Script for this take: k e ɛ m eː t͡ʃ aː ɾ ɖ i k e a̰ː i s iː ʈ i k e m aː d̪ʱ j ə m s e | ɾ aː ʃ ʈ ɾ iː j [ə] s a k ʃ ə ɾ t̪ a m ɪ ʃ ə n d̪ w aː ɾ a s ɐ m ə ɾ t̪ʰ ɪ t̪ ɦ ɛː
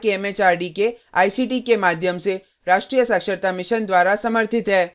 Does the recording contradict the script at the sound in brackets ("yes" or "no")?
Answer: no